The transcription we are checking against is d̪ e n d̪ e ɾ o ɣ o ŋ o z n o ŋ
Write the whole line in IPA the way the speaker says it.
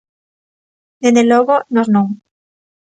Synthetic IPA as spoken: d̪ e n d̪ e l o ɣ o n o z n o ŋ